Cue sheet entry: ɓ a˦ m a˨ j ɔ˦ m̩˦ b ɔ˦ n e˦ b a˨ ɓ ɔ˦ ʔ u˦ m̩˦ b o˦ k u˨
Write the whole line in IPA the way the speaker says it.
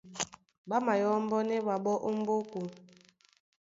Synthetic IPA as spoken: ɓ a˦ m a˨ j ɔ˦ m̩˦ b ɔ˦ n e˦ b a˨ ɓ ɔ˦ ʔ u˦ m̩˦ b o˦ k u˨

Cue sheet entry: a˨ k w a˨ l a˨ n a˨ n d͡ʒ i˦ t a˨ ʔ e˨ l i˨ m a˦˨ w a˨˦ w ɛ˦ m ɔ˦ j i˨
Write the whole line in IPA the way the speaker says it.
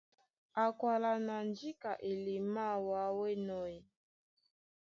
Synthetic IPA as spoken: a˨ k w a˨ l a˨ n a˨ n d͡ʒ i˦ k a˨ ʔ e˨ l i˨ m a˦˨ w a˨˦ w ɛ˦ n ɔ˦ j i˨

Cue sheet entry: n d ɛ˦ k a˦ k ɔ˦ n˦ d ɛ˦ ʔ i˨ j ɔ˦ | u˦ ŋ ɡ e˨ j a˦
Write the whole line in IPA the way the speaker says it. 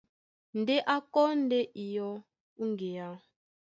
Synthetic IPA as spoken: n d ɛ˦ ʔ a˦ k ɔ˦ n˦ d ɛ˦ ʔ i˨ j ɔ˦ | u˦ ŋ ɡ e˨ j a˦

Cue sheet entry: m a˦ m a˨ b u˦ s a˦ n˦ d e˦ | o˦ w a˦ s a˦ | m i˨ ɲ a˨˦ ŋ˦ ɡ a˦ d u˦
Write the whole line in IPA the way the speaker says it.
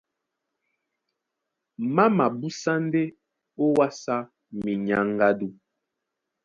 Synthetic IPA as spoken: m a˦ m a˨ b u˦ s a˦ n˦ d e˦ | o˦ w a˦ s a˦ | m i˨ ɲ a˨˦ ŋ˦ ɡ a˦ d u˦

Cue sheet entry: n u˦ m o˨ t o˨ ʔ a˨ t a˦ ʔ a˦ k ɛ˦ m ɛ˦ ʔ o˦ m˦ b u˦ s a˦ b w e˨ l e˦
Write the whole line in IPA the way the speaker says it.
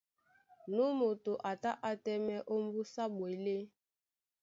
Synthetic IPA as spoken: n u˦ m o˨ t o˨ ʔ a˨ t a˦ ʔ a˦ t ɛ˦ m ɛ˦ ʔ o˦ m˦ b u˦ s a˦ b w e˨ l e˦

